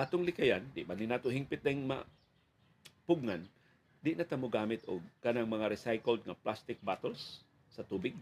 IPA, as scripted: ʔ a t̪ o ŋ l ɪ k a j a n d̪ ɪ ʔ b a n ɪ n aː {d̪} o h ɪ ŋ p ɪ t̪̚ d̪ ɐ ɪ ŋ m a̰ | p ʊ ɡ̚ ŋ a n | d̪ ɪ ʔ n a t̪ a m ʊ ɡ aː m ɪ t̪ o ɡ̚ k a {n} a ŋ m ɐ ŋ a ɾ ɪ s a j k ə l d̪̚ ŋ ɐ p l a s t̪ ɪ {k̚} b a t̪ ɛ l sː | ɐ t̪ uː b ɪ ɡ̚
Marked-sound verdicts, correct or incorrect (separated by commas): incorrect, correct, correct